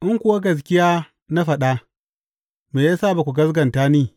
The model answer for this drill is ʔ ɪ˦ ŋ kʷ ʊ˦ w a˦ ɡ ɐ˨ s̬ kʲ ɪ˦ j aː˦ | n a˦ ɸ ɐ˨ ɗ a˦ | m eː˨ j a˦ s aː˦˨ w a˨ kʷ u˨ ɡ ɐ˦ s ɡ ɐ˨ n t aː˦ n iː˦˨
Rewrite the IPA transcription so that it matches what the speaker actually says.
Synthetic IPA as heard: ʔ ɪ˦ ŋ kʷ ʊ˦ w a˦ ɡ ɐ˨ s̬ kʲ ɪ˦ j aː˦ | n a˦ ɸ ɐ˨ ɗ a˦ | m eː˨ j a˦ s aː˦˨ b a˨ kʷ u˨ ɡ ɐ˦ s ɡ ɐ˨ n t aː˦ n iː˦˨